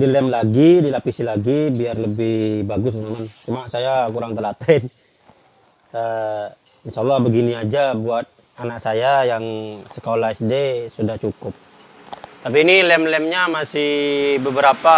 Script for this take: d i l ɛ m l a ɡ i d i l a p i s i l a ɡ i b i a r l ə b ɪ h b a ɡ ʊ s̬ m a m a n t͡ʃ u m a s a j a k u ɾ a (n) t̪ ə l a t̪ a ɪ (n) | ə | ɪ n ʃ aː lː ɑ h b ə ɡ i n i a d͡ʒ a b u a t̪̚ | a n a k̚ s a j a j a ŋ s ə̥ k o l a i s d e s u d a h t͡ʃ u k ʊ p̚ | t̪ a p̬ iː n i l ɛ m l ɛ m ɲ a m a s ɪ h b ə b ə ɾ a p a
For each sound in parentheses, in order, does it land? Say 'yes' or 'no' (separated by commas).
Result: no, yes